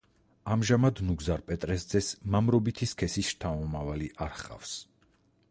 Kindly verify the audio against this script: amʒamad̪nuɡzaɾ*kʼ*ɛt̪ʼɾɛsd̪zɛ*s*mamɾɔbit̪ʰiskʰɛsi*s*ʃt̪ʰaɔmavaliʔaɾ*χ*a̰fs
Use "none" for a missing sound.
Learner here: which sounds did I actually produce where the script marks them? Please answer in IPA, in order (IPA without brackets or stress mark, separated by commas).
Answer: pʼ, s, s, χ